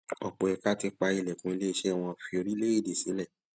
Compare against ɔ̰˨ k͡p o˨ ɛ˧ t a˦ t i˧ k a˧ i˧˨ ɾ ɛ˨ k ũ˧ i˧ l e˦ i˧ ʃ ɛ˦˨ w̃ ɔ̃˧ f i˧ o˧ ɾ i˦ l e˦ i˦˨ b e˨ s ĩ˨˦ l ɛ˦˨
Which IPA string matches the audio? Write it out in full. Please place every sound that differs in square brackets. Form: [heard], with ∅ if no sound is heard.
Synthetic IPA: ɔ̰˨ k͡p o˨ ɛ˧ [k] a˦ t i˧ [k͡p] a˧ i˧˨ [l] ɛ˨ k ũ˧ i˧ l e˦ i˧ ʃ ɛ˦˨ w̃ ɔ̃˧ f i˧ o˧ ɾ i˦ l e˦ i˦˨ [d] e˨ s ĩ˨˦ l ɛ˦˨